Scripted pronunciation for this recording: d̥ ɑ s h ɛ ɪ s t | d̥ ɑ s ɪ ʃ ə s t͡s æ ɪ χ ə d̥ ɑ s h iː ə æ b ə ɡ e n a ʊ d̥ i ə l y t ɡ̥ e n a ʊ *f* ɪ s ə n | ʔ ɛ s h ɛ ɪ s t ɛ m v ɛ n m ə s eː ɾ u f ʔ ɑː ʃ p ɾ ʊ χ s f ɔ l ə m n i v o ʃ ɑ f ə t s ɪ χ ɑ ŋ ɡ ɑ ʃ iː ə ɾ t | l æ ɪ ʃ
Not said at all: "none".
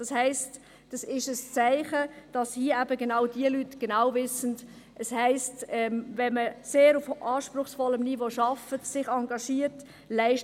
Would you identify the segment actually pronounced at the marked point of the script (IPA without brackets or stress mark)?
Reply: v